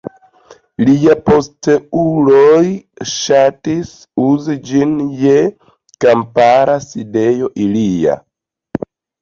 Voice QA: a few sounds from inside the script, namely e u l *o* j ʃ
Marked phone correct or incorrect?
correct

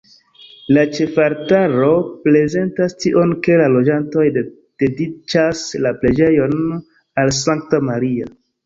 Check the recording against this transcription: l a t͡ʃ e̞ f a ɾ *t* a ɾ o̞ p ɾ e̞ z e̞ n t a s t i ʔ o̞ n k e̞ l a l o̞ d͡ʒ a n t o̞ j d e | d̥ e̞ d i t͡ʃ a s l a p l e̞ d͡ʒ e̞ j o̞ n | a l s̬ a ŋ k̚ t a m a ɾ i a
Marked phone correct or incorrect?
correct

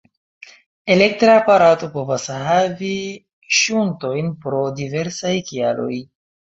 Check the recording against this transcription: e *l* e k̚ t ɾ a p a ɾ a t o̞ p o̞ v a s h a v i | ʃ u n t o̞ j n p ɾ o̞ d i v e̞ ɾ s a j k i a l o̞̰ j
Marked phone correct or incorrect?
correct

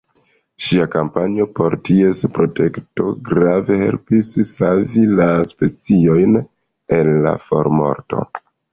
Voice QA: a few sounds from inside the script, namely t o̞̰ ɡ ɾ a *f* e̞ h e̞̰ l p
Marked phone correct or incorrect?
incorrect: v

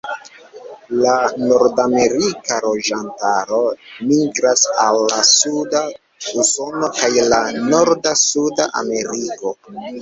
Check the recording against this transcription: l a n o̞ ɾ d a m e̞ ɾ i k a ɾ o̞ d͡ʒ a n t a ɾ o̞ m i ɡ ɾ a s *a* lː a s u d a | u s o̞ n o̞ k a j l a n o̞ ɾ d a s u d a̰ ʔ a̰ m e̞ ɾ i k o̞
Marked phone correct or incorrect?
correct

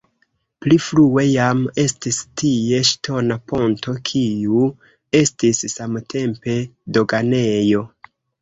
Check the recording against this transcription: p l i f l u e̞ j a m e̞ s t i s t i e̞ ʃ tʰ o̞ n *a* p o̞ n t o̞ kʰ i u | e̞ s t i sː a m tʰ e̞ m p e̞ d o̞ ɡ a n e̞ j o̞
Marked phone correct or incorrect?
correct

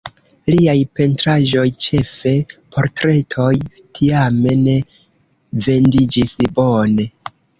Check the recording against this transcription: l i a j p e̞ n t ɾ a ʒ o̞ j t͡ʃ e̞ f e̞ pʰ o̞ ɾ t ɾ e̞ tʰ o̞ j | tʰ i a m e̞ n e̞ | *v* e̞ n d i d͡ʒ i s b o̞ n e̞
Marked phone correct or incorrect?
correct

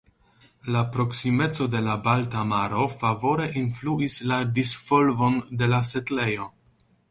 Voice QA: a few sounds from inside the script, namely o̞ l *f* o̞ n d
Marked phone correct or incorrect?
incorrect: v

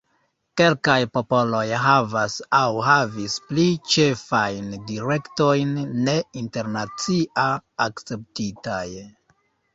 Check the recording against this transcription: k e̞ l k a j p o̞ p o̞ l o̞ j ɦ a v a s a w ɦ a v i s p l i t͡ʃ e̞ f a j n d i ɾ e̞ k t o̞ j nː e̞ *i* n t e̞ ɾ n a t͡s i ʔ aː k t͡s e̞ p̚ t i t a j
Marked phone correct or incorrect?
correct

